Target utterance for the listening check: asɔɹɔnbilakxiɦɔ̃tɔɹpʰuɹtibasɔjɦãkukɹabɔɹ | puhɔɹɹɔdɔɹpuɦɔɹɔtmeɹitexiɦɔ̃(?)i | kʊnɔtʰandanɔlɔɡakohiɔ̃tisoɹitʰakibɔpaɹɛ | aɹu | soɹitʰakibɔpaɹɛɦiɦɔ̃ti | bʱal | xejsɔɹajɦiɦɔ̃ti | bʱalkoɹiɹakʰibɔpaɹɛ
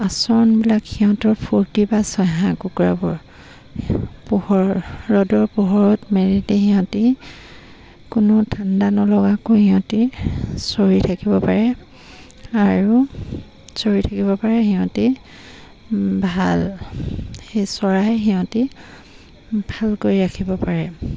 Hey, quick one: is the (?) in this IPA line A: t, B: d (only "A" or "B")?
A